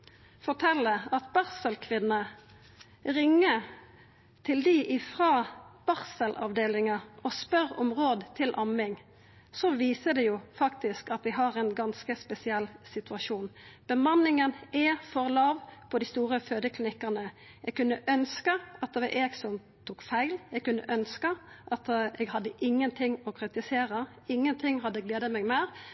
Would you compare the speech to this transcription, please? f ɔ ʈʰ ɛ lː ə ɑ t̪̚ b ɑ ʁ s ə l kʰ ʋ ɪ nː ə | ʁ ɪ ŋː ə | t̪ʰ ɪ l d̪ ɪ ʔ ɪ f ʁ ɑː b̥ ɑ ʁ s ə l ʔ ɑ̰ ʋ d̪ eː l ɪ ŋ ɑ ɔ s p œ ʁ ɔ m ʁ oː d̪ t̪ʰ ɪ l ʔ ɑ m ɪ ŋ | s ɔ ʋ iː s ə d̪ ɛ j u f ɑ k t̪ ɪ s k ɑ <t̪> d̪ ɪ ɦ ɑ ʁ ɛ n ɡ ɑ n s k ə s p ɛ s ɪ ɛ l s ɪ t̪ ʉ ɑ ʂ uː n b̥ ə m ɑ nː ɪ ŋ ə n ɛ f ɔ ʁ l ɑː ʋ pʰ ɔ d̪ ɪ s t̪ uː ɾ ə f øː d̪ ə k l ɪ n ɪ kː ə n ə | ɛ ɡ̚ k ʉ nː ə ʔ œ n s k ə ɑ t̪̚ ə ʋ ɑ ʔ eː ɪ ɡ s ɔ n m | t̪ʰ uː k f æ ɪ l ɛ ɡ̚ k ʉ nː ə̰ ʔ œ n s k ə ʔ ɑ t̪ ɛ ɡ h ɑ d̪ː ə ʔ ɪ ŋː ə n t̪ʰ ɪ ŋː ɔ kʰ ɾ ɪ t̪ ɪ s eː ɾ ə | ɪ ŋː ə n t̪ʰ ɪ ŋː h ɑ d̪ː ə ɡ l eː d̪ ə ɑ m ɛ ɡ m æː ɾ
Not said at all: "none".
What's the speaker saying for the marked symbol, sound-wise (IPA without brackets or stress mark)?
t̪